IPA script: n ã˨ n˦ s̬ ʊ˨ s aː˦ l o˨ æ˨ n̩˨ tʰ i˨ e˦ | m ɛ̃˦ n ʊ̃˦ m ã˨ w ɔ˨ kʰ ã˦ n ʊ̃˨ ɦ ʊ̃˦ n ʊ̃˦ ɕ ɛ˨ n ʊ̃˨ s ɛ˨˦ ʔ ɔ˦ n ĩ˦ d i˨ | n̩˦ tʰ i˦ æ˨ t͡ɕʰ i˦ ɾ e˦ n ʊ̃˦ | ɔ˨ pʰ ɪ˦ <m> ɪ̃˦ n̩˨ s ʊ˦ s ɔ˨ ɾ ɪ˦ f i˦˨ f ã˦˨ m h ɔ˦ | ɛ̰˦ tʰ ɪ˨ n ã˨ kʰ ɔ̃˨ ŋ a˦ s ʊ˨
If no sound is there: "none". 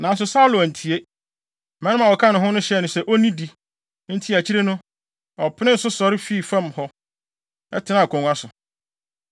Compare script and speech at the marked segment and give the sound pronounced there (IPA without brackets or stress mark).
n